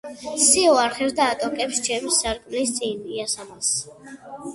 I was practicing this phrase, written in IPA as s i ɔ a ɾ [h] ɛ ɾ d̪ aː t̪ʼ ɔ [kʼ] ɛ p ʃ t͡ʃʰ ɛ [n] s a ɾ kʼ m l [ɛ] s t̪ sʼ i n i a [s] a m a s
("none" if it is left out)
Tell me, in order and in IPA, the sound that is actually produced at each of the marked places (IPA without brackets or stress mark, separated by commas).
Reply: χ, kʼ, m, i, s